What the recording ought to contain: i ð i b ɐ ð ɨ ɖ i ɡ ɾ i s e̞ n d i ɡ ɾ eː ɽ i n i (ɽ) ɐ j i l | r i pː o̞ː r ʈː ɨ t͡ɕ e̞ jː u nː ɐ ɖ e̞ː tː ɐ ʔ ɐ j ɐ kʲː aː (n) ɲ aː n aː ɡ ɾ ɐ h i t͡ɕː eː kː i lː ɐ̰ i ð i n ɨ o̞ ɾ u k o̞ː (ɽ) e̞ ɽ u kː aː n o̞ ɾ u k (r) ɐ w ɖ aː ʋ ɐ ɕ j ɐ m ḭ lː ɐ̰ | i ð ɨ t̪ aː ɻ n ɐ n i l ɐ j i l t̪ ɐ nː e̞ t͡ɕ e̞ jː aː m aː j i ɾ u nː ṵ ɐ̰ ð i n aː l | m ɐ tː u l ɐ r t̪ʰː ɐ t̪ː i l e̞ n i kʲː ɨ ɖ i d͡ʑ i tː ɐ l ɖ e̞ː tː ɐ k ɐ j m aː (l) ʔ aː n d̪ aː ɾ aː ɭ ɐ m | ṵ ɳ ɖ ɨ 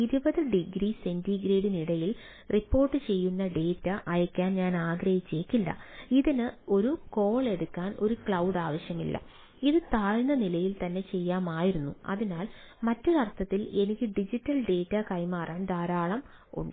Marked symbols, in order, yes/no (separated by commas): yes, yes, no, no, no